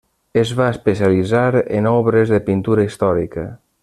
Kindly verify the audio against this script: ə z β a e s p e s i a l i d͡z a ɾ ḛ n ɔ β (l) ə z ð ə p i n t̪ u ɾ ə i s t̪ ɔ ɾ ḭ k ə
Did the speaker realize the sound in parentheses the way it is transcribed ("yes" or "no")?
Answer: no